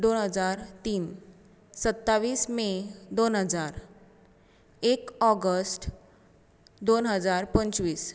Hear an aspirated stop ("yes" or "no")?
no